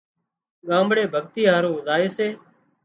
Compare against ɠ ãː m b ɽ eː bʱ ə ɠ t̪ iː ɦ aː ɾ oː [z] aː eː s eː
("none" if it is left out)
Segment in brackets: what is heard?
z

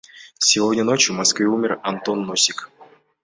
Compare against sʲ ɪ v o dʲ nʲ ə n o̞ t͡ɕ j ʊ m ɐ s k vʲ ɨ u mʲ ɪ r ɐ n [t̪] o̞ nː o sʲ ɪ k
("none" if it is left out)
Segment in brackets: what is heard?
t̪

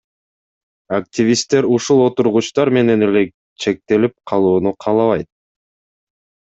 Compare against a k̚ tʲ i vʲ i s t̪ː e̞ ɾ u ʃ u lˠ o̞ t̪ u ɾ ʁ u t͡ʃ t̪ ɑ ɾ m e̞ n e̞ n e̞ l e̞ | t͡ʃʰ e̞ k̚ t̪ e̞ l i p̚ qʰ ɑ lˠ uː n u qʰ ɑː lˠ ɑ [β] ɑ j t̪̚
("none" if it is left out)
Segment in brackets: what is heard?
β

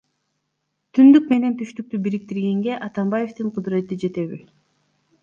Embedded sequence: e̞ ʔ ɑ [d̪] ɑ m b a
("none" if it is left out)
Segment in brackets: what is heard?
t̪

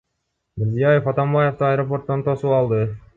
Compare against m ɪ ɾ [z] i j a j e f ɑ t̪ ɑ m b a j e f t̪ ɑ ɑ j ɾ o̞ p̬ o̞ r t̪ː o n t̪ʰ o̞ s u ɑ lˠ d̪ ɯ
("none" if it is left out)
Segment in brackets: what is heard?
z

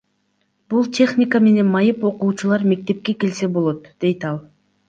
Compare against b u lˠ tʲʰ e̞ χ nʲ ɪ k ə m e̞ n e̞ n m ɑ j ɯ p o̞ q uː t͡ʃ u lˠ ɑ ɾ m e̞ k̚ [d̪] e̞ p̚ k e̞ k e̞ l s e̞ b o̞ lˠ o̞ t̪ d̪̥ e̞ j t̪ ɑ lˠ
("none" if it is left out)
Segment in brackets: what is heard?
t̪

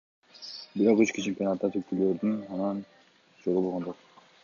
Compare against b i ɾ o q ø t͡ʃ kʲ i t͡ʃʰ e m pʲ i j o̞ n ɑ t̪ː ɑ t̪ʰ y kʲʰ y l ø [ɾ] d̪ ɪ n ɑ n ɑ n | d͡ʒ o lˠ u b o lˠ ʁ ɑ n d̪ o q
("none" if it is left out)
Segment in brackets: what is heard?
ɾ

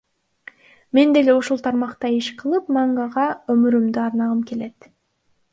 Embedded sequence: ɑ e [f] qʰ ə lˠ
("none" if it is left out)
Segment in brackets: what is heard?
ʃ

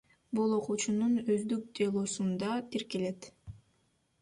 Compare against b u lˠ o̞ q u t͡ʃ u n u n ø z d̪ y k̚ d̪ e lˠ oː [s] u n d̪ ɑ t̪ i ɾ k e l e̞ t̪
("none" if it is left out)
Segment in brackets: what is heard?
s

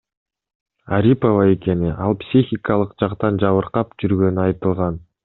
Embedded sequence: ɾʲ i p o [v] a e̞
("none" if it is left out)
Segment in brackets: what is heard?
v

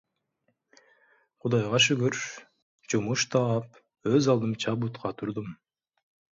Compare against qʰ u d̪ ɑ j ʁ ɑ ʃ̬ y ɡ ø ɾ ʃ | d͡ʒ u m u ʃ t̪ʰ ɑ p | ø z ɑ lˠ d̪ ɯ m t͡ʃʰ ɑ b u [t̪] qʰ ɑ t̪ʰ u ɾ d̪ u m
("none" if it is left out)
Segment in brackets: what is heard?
t̪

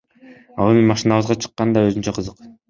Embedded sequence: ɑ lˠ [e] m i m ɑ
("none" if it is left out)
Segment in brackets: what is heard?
e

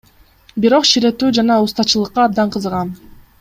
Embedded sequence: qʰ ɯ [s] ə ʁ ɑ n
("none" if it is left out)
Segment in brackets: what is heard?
z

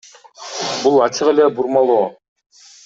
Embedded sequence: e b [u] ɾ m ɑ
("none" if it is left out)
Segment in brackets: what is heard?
u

